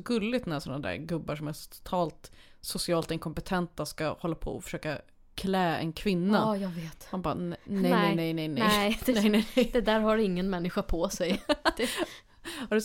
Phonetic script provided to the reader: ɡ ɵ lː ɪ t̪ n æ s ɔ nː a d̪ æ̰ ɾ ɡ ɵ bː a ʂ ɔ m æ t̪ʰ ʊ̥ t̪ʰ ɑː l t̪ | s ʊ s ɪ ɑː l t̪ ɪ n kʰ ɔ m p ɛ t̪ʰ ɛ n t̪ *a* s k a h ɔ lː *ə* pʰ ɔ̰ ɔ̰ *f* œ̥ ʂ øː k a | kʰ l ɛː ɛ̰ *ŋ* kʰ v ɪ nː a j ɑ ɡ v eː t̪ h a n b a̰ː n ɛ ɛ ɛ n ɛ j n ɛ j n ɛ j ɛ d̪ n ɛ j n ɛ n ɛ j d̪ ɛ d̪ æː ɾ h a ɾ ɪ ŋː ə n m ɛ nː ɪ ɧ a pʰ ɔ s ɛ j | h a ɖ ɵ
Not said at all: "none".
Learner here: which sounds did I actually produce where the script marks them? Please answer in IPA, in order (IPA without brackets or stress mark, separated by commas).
a, a, f, n